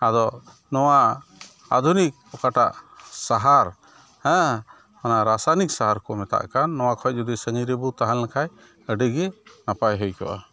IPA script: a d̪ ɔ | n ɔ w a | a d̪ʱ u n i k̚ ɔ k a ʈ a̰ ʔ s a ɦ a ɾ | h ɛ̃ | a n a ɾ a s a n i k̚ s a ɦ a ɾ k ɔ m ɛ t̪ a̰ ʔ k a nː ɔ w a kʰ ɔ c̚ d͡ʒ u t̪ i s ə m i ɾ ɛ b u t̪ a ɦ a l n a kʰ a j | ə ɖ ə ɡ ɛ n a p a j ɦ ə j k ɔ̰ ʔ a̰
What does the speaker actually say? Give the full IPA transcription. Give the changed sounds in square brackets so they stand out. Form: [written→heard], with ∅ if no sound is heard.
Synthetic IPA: a d̪ ɔ | n ɔ w a | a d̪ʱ u n i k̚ ɔ k a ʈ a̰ ʔ s a ɦ a ɾ | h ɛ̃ | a n a ɾ a s a n i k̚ s a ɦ a ɾ k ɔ m ɛ t̪ a̰ ʔ k a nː ɔ w a kʰ ɔ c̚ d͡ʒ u [t̪→d̪] i s ə [m→ɲ] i ɾ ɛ b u t̪ a ɦ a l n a kʰ a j | ə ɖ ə ɡ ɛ n a p a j ɦ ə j k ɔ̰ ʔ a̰

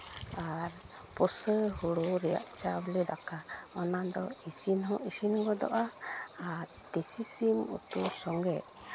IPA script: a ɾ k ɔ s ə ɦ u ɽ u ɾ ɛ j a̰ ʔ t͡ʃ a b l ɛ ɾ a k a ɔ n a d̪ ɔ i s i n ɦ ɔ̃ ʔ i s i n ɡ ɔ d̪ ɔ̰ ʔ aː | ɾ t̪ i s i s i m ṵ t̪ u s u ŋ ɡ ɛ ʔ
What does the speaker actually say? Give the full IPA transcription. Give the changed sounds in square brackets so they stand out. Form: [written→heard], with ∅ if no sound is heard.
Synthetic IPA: a ɾ [k→p] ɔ s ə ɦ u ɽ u ɾ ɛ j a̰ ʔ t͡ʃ a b l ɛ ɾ a k a ɔ n a d̪ ɔ i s i n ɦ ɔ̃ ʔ i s i n ɡ ɔ d̪ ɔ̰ ʔ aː | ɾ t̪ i s i s i m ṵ t̪ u s [u→ɔ] ŋ ɡ ɛ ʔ

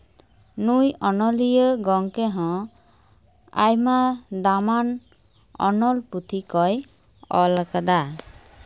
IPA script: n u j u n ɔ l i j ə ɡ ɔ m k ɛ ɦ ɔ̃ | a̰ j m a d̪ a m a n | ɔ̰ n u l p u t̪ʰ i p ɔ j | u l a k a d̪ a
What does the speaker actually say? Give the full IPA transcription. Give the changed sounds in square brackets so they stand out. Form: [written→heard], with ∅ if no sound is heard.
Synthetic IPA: n u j [u→ɔ] n ɔ l i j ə ɡ ɔ [m→ŋ] k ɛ ɦ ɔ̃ | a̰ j m a d̪ a m a n | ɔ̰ n [u→ɔ] l p u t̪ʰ i [p→k] ɔ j | [u→ɔ] l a k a d̪ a

